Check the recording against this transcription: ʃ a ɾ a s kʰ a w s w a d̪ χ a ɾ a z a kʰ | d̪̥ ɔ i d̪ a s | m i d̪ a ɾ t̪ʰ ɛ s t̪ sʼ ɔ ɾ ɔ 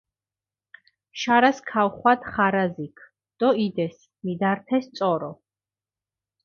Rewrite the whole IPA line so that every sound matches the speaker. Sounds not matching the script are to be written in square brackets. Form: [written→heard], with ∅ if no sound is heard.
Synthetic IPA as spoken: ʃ a ɾ a s kʰ a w [s→χ] w a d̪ χ a ɾ a z [a→i] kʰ | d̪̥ ɔ i d̪ [a→ɛ] s | m i d̪ a ɾ t̪ʰ ɛ s t̪ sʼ ɔ ɾ ɔ